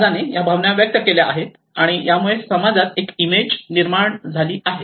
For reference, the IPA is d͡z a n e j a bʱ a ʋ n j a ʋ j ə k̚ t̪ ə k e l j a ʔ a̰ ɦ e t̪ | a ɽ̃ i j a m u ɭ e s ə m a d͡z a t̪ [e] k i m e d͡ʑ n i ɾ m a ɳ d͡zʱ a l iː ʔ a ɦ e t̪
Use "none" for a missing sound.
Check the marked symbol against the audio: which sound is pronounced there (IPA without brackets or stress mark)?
e